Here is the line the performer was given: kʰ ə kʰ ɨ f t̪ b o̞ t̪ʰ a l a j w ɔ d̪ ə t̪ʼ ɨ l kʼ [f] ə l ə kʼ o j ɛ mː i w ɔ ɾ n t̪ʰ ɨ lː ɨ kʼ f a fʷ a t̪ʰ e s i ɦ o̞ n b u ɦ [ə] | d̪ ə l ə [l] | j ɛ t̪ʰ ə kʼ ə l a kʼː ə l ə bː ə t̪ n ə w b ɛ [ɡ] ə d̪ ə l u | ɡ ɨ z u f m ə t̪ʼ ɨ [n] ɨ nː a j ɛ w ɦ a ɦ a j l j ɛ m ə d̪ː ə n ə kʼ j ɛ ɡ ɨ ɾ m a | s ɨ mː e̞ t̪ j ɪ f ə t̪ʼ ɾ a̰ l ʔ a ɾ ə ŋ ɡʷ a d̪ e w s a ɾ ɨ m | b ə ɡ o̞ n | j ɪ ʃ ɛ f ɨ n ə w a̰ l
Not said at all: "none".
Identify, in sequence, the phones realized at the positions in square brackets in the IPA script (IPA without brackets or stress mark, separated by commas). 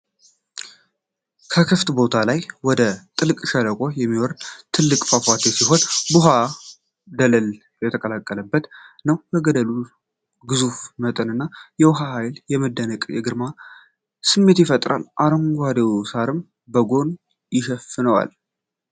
ʃ, a, l, ɡ, n